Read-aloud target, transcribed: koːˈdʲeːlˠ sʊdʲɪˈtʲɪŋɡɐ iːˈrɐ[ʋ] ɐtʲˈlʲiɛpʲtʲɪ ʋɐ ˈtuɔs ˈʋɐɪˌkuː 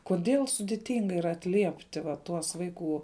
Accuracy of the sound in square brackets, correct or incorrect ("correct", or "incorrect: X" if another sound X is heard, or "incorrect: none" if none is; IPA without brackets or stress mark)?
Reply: incorrect: none